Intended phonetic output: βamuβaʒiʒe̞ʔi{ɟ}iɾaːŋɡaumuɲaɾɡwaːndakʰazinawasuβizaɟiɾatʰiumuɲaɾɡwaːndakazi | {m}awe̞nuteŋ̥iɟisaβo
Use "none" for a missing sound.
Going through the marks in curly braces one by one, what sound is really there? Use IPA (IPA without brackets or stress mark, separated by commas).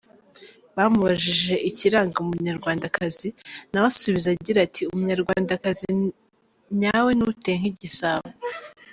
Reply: c, ɲ